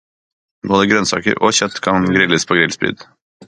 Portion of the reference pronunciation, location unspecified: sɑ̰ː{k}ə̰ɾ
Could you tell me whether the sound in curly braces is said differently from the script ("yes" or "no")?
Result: no